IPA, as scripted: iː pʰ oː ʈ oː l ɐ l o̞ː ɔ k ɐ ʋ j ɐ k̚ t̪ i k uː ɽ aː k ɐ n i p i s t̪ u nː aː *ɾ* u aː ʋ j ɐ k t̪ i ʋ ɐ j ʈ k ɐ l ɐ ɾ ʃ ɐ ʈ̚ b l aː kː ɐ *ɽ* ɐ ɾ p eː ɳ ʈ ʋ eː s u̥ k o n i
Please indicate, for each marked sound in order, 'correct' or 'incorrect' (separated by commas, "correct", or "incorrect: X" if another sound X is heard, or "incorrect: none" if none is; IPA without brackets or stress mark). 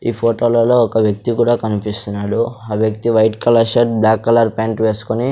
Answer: incorrect: ɽ, incorrect: l